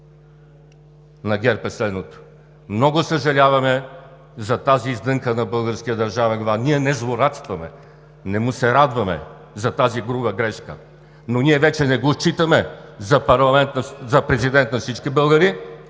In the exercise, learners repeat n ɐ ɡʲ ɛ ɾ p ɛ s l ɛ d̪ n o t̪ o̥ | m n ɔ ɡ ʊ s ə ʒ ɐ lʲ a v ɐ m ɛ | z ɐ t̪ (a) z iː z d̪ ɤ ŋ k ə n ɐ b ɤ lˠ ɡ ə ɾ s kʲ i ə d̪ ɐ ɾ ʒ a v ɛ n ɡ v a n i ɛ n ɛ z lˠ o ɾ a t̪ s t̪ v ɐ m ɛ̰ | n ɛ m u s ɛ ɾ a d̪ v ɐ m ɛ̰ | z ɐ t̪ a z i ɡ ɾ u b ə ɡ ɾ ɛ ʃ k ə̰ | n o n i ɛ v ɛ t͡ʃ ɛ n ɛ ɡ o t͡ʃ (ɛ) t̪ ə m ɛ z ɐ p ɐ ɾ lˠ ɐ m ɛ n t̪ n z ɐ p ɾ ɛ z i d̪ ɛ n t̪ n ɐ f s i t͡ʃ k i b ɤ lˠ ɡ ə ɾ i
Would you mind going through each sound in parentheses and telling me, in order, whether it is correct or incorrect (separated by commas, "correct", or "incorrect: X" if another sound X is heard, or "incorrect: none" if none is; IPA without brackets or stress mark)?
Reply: correct, incorrect: i